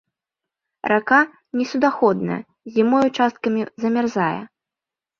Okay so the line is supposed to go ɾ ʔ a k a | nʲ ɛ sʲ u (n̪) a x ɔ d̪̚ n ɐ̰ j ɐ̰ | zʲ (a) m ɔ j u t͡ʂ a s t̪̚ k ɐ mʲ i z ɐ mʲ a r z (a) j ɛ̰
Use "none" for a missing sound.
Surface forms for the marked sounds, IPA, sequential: d̪, i, a

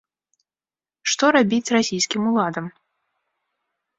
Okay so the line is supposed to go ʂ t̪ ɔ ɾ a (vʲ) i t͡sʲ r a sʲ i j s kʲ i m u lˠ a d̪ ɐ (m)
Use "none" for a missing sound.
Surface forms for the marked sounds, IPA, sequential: bʲ, m

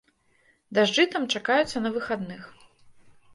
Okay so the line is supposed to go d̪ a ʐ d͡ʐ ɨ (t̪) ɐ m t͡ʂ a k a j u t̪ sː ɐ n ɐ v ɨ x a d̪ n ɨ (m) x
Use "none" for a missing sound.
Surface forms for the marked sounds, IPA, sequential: t̪, none

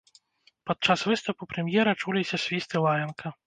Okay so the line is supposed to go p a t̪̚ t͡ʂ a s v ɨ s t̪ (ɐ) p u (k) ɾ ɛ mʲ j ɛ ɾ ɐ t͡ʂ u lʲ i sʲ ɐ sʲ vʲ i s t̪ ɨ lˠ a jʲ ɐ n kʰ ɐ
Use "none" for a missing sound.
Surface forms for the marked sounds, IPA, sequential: ɐ, p

